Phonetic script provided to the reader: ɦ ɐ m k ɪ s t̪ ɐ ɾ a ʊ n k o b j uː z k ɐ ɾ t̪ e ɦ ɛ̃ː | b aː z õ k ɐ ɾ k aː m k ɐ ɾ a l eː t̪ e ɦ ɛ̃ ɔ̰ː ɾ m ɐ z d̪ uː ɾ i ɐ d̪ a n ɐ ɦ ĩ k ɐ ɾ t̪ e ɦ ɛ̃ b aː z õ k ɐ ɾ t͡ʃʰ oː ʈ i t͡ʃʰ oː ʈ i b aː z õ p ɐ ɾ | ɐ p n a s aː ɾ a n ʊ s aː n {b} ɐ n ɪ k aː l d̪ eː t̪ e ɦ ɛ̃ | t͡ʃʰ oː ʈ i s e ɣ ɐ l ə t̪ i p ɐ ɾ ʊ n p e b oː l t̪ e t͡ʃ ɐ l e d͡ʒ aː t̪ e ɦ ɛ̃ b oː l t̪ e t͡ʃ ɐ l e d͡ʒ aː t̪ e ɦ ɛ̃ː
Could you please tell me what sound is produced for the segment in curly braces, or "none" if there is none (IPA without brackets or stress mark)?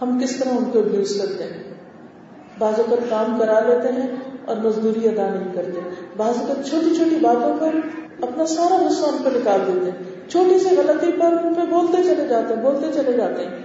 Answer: p